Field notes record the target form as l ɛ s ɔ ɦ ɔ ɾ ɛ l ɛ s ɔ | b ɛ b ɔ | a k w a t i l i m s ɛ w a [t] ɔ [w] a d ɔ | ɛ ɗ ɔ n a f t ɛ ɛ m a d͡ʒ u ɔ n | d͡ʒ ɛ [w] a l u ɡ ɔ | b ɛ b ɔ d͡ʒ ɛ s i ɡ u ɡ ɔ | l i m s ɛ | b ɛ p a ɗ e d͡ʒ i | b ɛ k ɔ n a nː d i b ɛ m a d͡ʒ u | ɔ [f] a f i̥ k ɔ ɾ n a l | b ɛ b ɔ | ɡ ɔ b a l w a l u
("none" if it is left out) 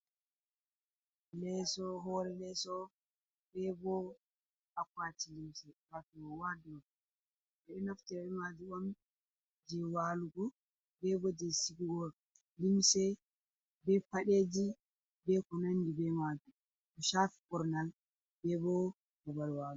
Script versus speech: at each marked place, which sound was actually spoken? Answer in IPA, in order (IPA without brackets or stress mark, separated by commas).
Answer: t, w, w, ʃ